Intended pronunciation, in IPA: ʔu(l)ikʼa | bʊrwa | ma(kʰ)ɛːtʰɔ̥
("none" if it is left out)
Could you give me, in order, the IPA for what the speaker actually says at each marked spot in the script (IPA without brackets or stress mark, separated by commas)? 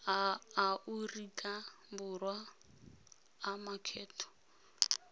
r, kʰ